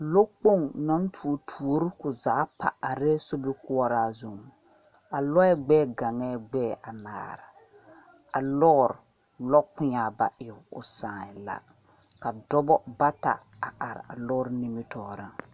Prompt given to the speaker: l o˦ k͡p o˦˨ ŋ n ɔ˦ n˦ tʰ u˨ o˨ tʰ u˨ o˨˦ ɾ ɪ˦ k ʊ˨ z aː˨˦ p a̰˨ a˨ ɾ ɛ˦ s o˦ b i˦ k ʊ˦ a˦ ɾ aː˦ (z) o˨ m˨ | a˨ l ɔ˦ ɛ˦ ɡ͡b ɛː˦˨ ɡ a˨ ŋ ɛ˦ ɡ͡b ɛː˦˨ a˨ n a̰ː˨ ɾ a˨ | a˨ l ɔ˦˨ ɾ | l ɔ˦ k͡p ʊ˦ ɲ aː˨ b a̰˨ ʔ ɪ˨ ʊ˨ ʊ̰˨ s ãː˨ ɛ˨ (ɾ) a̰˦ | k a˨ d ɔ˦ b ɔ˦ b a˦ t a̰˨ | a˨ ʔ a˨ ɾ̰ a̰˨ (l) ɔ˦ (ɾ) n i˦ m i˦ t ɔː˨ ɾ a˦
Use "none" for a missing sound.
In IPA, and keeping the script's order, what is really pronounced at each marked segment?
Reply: z, l, l, ɾ

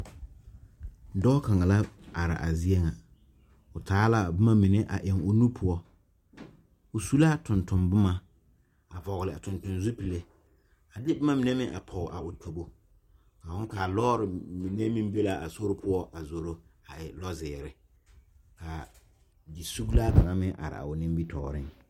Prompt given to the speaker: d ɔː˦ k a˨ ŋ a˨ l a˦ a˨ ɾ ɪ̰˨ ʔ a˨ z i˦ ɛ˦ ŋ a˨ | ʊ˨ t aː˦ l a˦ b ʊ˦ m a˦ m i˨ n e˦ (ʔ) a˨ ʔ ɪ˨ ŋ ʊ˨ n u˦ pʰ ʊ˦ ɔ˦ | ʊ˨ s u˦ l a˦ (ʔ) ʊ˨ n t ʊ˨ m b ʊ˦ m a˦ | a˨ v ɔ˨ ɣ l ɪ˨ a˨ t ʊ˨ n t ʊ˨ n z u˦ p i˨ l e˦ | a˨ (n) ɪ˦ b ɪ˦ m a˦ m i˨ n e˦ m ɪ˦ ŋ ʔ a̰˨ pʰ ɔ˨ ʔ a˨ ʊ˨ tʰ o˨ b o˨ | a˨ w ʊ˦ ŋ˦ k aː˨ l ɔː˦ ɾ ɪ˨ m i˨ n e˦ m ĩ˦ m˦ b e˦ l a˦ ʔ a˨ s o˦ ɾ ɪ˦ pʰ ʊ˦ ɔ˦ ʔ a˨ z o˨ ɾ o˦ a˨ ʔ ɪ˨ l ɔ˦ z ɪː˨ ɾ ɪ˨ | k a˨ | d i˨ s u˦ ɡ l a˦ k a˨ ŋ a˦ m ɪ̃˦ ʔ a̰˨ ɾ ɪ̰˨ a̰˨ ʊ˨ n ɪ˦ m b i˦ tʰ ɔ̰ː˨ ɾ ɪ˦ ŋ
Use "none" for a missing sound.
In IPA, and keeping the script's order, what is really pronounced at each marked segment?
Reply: ʔ, t, d

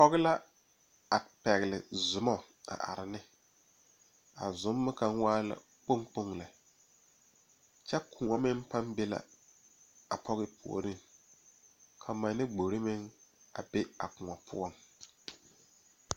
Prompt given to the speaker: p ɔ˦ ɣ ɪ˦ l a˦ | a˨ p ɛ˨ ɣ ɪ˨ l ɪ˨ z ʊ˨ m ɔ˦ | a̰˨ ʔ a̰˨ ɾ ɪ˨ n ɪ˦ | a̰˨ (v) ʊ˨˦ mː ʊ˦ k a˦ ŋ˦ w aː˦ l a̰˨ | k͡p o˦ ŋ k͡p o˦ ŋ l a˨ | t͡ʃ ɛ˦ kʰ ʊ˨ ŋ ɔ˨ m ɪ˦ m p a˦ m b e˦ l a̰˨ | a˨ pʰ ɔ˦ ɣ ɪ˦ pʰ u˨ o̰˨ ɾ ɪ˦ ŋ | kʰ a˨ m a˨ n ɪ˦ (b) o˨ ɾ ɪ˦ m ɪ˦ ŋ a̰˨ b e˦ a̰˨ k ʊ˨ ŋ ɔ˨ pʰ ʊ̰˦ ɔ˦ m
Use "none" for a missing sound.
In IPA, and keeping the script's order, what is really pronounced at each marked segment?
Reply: z, ɡ͡b

